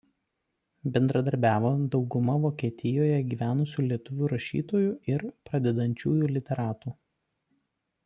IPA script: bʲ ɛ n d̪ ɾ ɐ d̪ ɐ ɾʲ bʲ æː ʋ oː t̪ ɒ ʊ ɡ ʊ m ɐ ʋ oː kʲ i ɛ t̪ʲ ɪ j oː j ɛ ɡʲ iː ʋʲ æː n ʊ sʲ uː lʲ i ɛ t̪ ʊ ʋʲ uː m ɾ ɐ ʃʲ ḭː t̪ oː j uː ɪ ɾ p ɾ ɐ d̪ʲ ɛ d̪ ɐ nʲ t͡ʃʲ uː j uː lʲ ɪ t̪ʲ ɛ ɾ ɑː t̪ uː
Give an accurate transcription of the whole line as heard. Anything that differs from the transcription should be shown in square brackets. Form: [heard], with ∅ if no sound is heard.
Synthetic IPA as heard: bʲ ɛ n d̪ ɾ ɐ d̪ ɐ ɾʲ bʲ æː ʋ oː [d̪] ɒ ʊ ɡ ʊ m ɐ ʋ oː kʲ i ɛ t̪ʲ ɪ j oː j ɛ ɡʲ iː ʋʲ æː n ʊ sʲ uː lʲ i ɛ t̪ ʊ ʋʲ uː [∅] ɾ ɐ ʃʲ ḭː t̪ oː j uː ɪ ɾ p ɾ ɐ d̪ʲ ɛ d̪ ɐ nʲ t͡ʃʲ uː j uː lʲ ɪ t̪ʲ ɛ ɾ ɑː t̪ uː